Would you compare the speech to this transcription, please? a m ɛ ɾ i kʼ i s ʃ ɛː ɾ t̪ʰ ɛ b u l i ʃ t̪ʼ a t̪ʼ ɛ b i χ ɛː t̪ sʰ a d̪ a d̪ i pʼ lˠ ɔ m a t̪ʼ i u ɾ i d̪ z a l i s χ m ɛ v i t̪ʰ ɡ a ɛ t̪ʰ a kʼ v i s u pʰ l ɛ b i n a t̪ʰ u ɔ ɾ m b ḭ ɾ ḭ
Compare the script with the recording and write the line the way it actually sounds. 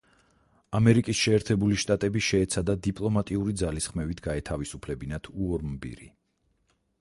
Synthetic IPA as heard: a m ɛ ɾ i kʼ i s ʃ ɛː ɾ t̪ʰ ɛ b u l i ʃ t̪ʼ a t̪ʼ ɛ b i ʃ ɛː t̪ sʰ a d̪ a d̪ i pʼ lˠ ɔ m a t̪ʼ i u ɾ i d̪ z a l i s χ m ɛ v i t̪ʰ ɡ a ɛ t̪ʰ a v i s u pʰ l ɛ b i n a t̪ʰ u ɔ ɾ m b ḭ ɾ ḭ

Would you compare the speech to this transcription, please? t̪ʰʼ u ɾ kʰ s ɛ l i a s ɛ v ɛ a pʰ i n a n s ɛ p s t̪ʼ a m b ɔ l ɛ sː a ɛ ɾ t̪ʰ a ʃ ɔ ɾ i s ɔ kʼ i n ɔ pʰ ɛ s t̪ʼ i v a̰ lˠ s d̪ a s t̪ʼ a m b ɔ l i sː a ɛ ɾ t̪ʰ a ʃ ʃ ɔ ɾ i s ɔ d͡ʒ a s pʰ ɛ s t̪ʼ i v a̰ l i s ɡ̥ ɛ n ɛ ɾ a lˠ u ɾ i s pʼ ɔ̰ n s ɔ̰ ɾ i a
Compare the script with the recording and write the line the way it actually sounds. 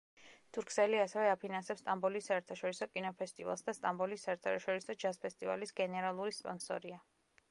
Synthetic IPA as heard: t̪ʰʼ u ɾ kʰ s ɛ l i a s ɛ v ɛ a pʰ i n a n s ɛ p s t̪ʼ a m b ɔ l i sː a ɛ ɾ t̪ʰ a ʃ ɔ ɾ i s ɔ kʼ i n ɔ pʰ ɛ s t̪ʼ i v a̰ lˠ s d̪ a s t̪ʼ a m b ɔ l i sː a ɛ ɾ t̪ʰ a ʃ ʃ ɔ ɾ i s ɔ d͡ʒ a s pʰ ɛ s t̪ʼ i v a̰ l i s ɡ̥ ɛ n ɛ ɾ a lˠ u ɾ i s pʼ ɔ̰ n s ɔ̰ ɾ i a

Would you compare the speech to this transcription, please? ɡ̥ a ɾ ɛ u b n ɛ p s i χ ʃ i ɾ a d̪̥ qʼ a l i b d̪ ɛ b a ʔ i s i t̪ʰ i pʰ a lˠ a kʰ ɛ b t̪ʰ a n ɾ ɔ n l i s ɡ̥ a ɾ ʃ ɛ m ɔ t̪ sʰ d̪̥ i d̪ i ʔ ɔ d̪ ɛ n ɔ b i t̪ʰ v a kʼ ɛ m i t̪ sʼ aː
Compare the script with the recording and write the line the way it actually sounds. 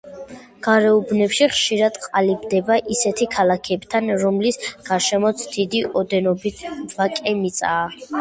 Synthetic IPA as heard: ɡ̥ a ɾ ɛ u b n ɛ p ʃ i χ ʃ i ɾ a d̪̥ qʼ a l i b d̪ ɛ b a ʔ i s ɛ t̪ʰ i kʰ a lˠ a kʰ ɛ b t̪ʰ a n ɾ ɔ m l i s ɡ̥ a ɾ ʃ ɛ m ɔ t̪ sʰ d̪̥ i d̪ i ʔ ɔ d̪ ɛ n ɔ b i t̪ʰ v a kʼ ɛ m i t̪ sʼ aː

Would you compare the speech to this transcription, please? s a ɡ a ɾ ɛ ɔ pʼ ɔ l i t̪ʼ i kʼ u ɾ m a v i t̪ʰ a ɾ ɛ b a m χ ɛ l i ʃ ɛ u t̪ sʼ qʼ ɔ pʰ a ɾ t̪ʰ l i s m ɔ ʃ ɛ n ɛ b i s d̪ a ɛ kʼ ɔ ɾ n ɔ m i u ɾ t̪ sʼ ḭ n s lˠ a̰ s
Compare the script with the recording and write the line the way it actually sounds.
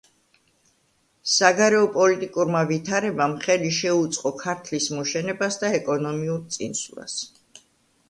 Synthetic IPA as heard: s a ɡ a ɾ ɛ ɔ pʼ ɔ l i t̪ʼ i kʼ u ɾ m a v i t̪ʰ a ɾ ɛ b a m χ ɛ l i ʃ ɛ u t̪ sʼ qʼ ɔ kʰ a ɾ t̪ʰ l i s m ɔ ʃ ɛ n ɛ b a s d̪ a ɛ kʼ ɔ n ɔ m i u ɾ t̪ sʼ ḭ n s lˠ a̰ s

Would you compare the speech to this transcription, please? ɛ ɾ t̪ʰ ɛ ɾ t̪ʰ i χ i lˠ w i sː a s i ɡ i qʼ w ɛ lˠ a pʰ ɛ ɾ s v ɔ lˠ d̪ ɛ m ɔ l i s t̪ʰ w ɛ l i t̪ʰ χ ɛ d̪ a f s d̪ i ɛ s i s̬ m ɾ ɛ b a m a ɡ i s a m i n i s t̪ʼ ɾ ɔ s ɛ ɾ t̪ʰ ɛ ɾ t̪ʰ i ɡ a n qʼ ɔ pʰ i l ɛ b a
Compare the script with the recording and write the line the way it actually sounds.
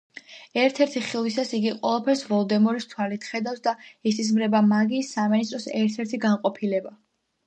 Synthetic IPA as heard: ɛ ɾ t̪ʰ ɛ ɾ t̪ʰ i χ i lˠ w i s a s i ɡ i qʼ w ɛ lˠ a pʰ ɛ ɾ s v ɔ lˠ d̪ ɛ m ɔ ɾ i s t̪ʰ w a l i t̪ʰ χ ɛ d̪ a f s d̪ a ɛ s i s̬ m ɾ ɛ b a m a ɡ i s a m i n i s t̪ʼ ɾ ɔ s ɛ ɾ t̪ʰ ɛ ɾ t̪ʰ i ɡ a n qʼ ɔ pʰ i l ɛ b a

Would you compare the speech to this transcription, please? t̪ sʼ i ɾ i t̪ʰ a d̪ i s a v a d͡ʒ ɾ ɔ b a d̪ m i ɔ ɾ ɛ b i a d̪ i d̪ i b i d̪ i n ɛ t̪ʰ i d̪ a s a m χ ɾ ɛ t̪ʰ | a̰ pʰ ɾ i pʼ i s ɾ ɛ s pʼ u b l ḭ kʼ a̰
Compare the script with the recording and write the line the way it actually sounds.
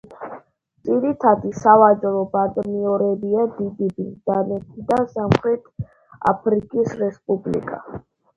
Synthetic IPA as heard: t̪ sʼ i ɾ i t̪ʰ a d̪ i s a v a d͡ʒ ɾ ɔ b a d̪ m i ɔ ɾ ɛ b i a d̪ i d̪ i b i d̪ a n ɛ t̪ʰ i d̪ a s a m χ ɾ ɛ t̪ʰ | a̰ pʰ ɾ i kʼ i s ɾ ɛ s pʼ u b l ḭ kʼ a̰

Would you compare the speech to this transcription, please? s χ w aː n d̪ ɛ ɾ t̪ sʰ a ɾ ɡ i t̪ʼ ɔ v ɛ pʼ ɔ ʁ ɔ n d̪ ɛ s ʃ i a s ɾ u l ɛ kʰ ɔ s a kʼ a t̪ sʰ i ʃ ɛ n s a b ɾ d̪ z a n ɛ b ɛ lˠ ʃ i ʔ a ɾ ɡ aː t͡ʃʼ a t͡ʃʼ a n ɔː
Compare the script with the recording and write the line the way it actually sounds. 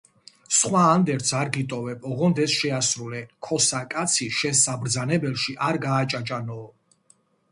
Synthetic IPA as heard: s χ w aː n d̪ ɛ ɾ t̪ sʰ a ɾ ɡ i t̪ʼ ɔ v ɛ pʼ ɔ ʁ ɔ n d̪ ɛ s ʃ ɛ a s ɾ u l ɛ kʰ ɔ s a kʼ a t̪ sʰ i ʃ ɛ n s a b ɾ d̪ z a n ɛ b ɛ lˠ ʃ i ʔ a ɾ ɡ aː t͡ʃʼ a t͡ʃʼ a n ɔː

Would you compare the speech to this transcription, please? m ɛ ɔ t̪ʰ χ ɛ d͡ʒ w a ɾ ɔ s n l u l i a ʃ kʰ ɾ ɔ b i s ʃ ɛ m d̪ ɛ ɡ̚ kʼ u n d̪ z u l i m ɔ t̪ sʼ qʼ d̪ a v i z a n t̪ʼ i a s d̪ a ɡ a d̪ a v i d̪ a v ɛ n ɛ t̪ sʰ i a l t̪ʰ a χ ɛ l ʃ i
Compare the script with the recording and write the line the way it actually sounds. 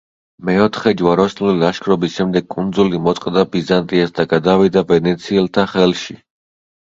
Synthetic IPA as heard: m ɛ ɔ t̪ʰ χ ɛ d͡ʒ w a ɾ ɔ s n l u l i a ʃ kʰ ɾ ɔ b i s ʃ ɛ m d̪ ɛ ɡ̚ kʼ u n d̪ z u l i m ɔ t̪ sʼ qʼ d̪ a b i z a n t̪ʼ i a s d̪ a ɡ a d̪ a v i d̪ a v ɛ n ɛ t̪ sʰ i ɛ l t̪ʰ a χ ɛ l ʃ i

